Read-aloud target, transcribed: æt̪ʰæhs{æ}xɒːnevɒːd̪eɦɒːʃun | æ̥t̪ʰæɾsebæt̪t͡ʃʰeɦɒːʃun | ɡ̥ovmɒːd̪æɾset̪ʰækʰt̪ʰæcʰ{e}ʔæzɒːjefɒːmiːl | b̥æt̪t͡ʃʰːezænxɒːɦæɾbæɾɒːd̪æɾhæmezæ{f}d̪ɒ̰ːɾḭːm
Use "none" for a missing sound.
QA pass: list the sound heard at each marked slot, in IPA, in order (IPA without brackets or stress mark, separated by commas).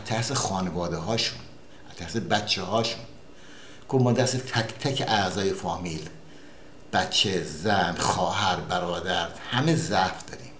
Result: e, e, f